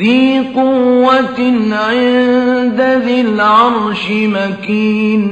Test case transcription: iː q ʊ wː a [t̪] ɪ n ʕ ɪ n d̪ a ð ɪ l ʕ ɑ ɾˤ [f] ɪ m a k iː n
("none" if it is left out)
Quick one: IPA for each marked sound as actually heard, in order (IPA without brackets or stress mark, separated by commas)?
t̪, ʃ